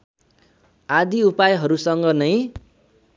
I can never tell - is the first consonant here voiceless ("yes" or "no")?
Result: no